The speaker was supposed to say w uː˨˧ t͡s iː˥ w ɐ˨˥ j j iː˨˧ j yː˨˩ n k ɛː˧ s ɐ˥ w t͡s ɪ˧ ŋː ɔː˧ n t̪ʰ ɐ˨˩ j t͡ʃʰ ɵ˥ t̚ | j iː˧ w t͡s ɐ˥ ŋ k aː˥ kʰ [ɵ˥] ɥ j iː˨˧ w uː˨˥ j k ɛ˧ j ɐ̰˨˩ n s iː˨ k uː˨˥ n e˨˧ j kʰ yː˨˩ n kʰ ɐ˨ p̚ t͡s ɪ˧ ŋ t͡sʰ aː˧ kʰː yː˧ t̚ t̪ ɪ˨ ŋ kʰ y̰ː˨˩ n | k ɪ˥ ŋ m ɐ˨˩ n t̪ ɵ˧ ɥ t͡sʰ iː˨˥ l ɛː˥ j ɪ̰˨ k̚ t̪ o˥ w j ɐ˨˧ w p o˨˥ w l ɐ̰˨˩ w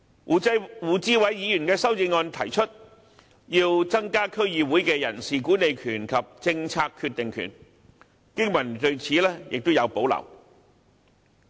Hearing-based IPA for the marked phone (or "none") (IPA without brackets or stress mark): ɵ˥